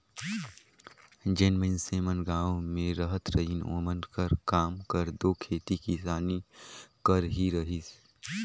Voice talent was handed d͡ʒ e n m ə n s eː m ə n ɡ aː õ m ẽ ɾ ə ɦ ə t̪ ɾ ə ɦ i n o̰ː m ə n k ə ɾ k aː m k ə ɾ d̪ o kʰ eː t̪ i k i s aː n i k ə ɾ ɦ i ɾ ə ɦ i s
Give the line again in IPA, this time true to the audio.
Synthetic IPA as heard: d͡ʒ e n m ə n s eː m ə n ɡ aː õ m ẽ ɾ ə ɦ ə t̪ ɾ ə ɦ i n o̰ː m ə n k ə ɾ k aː m k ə ɾ d̪ o kʰ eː t̪ i k i s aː n i k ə ɾ ɦ i ɾ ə ɦ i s